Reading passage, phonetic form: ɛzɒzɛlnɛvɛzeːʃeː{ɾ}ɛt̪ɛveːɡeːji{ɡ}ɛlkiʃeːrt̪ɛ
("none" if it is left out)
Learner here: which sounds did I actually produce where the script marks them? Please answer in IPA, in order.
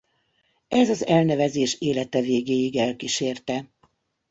l, ɡ

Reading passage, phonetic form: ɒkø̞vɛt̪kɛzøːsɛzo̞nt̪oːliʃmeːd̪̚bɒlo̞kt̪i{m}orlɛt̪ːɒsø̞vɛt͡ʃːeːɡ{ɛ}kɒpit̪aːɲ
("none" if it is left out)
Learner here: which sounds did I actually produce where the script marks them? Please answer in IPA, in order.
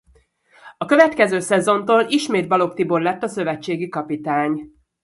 b, i

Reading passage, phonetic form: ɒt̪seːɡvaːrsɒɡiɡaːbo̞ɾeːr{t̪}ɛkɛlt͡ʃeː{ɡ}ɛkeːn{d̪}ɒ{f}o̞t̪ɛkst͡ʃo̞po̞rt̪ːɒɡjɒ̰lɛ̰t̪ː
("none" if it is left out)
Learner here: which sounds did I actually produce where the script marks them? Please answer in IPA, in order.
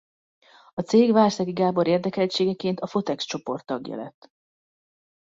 d̪, ɡ, t̪, f

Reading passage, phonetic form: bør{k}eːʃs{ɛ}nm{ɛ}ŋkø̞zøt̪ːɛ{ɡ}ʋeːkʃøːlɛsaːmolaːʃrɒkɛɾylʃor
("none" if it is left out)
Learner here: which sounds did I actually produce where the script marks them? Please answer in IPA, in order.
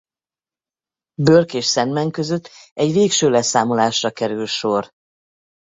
k, ɛ, ɛ, ɟ

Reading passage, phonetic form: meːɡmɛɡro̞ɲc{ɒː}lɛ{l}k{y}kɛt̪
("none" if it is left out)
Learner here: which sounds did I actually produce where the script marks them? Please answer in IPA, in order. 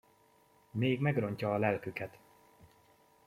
ɒː, l, y

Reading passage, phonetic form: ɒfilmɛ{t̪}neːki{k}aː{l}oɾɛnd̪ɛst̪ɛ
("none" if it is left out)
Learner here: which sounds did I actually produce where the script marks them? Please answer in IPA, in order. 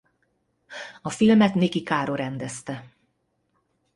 t̪, k, ɾ

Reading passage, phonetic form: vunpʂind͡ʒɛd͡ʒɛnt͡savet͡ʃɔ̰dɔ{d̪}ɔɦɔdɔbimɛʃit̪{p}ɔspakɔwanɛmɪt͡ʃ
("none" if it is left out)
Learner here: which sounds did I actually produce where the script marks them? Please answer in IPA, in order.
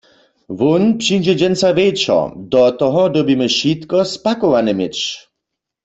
t̪, k

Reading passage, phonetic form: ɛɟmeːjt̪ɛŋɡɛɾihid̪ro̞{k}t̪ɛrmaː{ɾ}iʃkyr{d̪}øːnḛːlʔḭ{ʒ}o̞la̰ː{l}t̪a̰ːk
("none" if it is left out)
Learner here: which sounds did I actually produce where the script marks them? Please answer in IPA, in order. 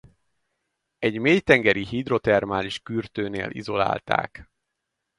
none, l, t̪, z, l

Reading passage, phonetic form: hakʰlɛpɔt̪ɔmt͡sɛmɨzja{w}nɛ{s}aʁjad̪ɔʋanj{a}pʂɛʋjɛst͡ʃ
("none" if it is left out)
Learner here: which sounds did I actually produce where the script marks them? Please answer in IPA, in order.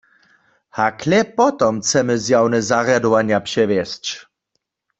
w, z, a

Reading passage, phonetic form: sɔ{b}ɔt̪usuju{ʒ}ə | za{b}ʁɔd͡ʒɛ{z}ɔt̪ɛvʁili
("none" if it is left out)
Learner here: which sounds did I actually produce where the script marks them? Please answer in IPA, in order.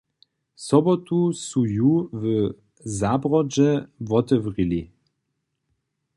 b, v, b, v

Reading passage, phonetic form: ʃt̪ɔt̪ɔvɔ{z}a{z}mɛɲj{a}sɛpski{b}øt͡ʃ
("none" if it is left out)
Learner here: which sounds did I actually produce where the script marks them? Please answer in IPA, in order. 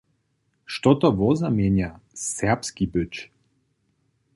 z, none, a, b

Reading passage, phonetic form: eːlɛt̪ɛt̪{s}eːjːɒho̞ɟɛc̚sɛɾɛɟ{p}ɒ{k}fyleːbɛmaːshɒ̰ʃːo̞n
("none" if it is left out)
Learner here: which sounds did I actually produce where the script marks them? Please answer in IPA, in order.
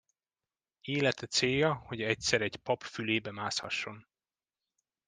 s, p, p

